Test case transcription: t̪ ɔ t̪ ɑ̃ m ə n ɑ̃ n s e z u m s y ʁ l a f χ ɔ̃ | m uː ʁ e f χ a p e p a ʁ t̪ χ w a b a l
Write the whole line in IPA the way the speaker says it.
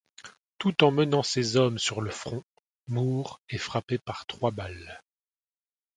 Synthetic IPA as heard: t̪ u t̪ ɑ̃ m ə n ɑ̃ s e z ɔ m s y ʁ l ə f χ ɔ̃ | m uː ʁ e f χ a p e p a ʁ t̪ χ w a b a l